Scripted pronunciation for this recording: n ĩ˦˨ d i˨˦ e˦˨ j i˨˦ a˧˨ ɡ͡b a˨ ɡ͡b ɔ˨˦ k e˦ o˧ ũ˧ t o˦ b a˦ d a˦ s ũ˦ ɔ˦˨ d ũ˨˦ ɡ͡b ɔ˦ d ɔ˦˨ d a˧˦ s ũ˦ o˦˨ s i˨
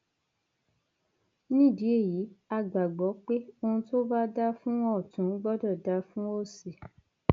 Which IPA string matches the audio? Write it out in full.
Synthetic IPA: n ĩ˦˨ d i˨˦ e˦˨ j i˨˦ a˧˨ ɡ͡b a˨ ɡ͡b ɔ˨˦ k͡p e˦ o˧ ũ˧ t o˦ b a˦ d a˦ f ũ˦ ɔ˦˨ t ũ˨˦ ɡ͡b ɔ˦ d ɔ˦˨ d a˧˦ f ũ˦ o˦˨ s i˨